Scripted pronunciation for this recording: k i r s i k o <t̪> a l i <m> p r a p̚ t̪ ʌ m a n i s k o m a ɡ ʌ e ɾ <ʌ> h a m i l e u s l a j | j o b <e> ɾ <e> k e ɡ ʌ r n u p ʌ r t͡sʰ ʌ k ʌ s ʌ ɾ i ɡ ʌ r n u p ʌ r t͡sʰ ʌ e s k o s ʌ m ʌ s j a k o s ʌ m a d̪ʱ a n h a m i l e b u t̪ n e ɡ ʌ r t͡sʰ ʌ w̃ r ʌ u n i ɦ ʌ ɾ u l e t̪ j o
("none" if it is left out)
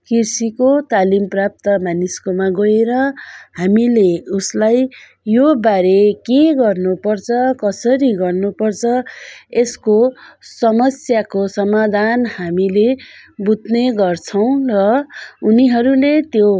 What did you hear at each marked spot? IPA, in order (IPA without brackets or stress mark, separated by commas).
t̪, m, ʌ, a, e